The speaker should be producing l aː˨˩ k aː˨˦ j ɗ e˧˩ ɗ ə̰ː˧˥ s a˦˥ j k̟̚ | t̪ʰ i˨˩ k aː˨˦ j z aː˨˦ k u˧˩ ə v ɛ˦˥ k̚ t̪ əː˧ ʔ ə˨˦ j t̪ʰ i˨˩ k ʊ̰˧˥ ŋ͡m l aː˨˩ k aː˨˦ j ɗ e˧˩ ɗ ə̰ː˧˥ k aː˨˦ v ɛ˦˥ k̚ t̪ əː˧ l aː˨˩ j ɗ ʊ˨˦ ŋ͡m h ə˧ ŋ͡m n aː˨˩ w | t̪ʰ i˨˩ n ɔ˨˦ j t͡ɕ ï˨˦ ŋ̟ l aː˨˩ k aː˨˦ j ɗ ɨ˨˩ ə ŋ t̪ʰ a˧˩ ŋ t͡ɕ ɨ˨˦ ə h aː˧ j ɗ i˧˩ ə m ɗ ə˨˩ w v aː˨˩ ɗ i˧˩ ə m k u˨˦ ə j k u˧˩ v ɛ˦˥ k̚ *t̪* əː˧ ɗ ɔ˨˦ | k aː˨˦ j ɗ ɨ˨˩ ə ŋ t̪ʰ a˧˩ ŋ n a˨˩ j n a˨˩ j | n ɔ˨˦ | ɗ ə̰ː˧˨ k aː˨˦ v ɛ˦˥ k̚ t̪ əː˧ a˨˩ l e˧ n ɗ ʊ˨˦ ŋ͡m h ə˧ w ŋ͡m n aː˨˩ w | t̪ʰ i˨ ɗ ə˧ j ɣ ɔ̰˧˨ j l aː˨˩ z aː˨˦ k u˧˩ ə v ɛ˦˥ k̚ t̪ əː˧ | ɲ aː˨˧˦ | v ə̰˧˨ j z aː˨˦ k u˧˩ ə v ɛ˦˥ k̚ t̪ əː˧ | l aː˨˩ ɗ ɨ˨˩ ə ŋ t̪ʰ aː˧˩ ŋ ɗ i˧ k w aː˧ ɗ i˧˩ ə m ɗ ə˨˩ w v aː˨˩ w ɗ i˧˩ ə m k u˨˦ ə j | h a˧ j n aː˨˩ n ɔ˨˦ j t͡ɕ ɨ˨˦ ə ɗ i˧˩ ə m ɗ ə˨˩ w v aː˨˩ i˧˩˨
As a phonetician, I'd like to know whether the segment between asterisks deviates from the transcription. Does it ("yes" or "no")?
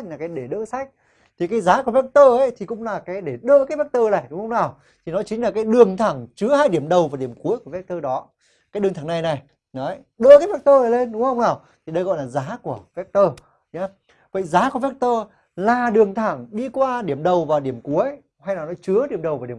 no